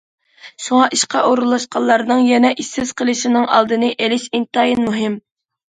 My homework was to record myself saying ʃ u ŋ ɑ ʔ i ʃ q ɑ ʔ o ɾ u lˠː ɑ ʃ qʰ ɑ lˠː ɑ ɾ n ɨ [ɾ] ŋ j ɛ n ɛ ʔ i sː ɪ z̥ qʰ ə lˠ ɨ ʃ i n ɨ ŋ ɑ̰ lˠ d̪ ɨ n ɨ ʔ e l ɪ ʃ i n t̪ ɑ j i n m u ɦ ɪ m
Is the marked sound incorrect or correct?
incorrect